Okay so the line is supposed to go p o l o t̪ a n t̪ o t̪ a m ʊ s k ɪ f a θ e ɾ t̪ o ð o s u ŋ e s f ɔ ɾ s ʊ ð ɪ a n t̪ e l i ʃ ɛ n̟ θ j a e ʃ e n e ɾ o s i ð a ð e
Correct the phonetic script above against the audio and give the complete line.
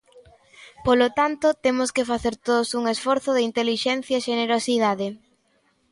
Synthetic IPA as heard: p o l o t̪ a n t̪ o t̪ e m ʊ s k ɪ f a θ e ɾ t̪ o ð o s u ŋ e s f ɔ ɾ θ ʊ ð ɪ i n t̪ e l i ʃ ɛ n̟ θ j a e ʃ e n e ɾ o s i ð a ð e